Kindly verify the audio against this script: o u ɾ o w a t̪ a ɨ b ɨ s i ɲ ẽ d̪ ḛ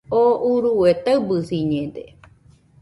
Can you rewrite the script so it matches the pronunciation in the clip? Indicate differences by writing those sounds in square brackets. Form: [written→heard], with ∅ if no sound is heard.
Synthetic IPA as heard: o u ɾ [o→u] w [a→e] t̪ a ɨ b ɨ s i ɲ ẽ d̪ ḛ